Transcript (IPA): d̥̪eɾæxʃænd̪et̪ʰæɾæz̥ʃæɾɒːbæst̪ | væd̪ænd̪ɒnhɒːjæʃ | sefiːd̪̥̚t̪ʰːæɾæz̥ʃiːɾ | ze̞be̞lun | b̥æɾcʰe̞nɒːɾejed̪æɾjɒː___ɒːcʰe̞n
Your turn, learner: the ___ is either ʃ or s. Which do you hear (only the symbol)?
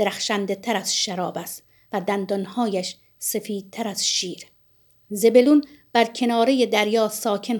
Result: s